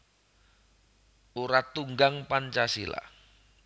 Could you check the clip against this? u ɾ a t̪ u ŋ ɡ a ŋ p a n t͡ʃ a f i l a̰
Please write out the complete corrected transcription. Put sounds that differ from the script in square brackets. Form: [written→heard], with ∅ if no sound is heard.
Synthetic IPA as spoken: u ɾ a t̪ u ŋ ɡ a ŋ p a n t͡ʃ a [f→s] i l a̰

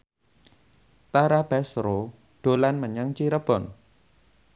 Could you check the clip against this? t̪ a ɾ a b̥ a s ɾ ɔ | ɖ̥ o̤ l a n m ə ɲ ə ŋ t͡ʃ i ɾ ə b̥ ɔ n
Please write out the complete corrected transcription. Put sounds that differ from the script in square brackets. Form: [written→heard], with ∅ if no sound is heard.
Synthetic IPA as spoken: t̪ a ɾ a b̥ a s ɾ [ɔ→o] | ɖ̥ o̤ l a n m ə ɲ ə ŋ t͡ʃ i ɾ ə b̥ ɔ n

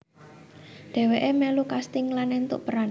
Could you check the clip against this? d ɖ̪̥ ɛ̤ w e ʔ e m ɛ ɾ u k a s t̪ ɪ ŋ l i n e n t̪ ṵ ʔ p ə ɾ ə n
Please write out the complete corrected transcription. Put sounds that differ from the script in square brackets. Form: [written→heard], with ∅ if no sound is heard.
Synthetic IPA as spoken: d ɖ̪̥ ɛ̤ w e ʔ e m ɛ [ɾ→l] u k a s t̪ ɪ ŋ l [i→a] n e n t̪ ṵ ʔ p ə ɾ [ə→a] n

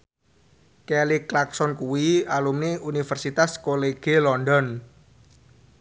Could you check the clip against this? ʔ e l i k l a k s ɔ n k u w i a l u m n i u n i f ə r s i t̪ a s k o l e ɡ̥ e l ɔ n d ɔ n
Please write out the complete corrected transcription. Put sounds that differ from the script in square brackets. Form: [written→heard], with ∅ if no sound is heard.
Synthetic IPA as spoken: [ʔ→k] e l i k l a k s ɔ n k u w i a l u m n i u n i f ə r s i t̪ a s k o l e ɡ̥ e l ɔ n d ɔ n

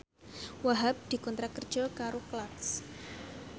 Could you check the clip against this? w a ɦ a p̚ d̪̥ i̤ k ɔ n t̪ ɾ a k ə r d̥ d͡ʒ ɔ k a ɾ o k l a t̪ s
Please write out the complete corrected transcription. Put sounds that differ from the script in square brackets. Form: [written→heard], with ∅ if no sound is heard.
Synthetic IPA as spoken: w a ɦ a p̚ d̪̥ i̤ k ɔ n t̪ ɾ a k ə r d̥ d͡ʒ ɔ k a ɾ o k l a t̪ s

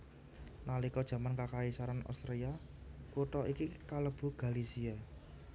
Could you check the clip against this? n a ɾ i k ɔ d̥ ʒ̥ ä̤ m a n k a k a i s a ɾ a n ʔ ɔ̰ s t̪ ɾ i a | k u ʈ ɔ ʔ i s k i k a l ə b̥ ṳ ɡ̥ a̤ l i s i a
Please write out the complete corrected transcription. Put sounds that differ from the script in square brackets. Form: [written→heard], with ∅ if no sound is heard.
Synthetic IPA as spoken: n a [ɾ→l] i k ɔ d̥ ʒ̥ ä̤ m a n k a k a i s a ɾ a n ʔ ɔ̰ s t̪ ɾ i a | k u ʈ ɔ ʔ i [s→∅] k i k a l ə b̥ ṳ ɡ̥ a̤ l i s i a

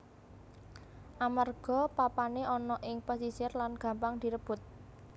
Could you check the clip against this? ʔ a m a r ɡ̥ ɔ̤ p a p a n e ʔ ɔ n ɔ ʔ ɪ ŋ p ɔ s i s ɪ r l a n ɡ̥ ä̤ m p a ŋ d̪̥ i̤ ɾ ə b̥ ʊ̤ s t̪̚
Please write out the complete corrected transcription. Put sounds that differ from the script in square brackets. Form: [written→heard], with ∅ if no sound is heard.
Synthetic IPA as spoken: ʔ a m a r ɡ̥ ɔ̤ p a p a n e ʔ ɔ n ɔ ʔ ɪ ŋ p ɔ s i s ɪ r l a n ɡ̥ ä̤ m p a ŋ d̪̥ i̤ ɾ ə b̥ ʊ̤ [s→∅] t̪̚

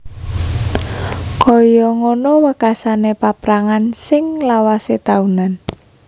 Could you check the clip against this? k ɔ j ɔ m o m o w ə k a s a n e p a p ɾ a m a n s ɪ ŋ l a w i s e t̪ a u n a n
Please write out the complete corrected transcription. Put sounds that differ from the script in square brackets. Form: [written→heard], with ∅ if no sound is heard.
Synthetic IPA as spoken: k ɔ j ɔ [m→ŋ] o [m→n] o w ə k a s a n e p a p ɾ a [m→ŋ] a n s ɪ ŋ l a w [i→a] s e t̪ a u n a n

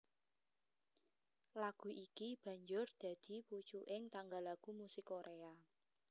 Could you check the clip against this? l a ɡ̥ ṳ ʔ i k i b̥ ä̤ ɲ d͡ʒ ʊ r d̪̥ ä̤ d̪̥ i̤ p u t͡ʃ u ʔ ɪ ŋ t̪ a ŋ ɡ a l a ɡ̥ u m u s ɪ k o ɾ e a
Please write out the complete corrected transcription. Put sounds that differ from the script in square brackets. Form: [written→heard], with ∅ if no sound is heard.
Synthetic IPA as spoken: l a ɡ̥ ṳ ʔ i k i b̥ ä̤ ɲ d͡ʒ ʊ r d̪̥ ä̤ d̪̥ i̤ p u t͡ʃ u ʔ ɪ ŋ t̪ a ŋ ɡ a l a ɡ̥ u m u s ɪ k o ɾ e a

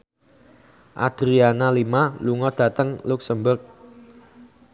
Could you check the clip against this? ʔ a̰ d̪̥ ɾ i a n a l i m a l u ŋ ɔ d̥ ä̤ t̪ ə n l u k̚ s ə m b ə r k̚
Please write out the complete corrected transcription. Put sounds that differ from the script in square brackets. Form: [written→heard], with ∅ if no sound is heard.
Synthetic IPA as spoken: ʔ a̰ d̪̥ ɾ i a n a l i m a l u ŋ ɔ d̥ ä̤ t̪ ə [n→ŋ] l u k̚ s ə m b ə r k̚

